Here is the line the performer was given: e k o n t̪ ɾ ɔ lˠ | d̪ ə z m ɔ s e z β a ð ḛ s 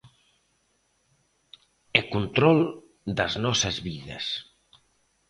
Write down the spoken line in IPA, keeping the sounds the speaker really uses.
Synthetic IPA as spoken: e k u n t̪ ɾ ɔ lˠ | d̪ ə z n ɔ s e z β i ð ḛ s